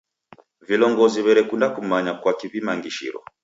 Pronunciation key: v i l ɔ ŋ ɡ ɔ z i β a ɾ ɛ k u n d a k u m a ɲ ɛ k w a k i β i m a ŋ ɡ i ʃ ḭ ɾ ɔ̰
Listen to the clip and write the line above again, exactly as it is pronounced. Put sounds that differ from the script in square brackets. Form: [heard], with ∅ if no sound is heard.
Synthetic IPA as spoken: v i l ɔ ŋ ɡ ɔ z i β [ɛ] ɾ ɛ k u n d a k u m a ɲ [a] k w a k i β i m a ŋ ɡ i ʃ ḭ ɾ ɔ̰